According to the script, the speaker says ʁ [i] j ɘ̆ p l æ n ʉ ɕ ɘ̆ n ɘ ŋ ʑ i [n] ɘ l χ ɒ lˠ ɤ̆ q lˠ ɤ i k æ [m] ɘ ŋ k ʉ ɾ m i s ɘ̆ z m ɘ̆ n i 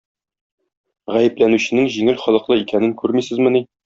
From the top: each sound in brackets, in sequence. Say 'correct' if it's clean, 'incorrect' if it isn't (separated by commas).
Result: incorrect, incorrect, incorrect